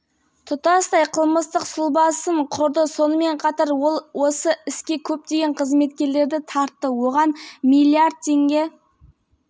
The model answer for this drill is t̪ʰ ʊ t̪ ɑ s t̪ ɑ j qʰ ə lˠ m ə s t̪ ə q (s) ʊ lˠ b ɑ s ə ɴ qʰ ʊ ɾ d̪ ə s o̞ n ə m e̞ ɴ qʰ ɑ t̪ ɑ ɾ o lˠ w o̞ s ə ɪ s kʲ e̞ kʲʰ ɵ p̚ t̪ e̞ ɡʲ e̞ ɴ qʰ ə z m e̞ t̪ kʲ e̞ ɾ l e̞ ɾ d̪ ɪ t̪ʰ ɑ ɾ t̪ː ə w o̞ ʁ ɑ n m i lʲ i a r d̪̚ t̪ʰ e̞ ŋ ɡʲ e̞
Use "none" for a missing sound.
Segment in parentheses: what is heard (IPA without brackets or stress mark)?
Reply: s